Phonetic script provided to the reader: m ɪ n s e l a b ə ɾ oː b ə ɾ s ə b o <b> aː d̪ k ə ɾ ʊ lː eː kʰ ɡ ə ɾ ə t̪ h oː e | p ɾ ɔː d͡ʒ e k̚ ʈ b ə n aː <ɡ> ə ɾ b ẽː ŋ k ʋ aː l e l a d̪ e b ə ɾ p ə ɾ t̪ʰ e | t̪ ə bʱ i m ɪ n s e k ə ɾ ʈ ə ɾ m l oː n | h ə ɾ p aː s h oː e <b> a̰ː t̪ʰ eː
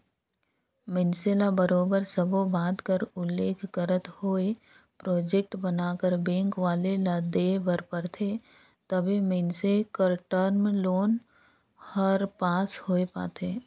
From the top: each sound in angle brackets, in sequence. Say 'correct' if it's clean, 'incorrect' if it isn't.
correct, incorrect: k, incorrect: p

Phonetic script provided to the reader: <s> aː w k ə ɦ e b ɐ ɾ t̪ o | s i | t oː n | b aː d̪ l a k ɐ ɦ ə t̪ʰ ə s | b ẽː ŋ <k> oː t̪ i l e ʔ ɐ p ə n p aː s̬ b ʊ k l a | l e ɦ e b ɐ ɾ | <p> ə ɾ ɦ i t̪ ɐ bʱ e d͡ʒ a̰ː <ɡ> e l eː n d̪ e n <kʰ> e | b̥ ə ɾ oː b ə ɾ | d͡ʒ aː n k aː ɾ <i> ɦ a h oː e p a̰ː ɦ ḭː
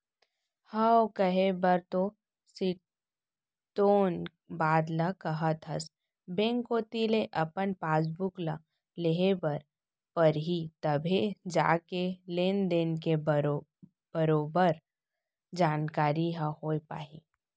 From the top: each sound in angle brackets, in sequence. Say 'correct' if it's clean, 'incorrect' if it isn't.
incorrect: h, correct, correct, incorrect: k, incorrect: k, correct

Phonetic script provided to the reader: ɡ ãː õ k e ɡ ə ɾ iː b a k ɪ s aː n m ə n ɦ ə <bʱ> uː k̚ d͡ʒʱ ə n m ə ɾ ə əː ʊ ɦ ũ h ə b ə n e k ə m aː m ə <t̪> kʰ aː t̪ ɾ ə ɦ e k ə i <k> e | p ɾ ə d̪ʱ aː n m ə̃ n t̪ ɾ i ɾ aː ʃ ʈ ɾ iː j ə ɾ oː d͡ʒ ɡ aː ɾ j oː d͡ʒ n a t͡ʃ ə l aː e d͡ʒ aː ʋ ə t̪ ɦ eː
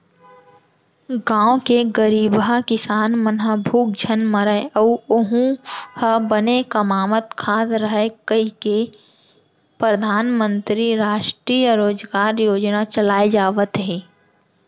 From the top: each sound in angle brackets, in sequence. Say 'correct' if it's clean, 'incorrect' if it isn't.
correct, correct, correct

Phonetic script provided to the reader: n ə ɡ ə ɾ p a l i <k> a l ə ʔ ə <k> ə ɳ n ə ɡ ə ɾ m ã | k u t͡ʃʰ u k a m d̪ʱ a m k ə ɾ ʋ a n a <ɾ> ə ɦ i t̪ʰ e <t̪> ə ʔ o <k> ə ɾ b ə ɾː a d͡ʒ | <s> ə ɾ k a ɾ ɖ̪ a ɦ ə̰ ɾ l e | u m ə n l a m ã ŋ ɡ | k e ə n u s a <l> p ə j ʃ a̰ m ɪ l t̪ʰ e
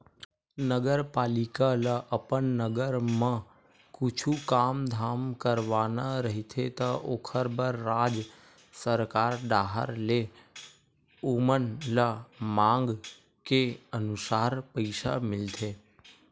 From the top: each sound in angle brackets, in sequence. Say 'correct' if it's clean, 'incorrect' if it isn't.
correct, incorrect: p, correct, correct, incorrect: kʰ, correct, incorrect: ɾ

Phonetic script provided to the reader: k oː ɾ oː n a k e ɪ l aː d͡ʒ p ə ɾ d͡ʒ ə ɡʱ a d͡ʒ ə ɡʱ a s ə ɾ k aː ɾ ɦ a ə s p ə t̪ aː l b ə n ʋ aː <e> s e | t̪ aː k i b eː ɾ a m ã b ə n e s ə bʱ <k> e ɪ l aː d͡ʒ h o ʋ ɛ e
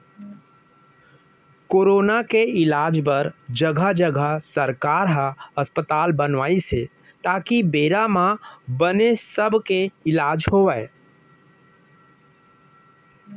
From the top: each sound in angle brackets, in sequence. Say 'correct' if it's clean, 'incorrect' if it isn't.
incorrect: i, correct

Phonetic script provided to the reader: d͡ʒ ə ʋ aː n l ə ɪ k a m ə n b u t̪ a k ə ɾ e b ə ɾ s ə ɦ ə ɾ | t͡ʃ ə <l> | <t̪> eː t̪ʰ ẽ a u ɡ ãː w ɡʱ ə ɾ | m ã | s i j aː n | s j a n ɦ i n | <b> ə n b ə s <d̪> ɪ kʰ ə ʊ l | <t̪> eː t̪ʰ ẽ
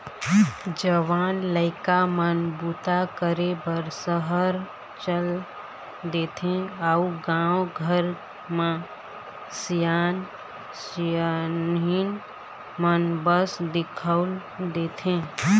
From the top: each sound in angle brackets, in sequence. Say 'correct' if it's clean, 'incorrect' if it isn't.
correct, incorrect: d̪, incorrect: m, correct, incorrect: d̪

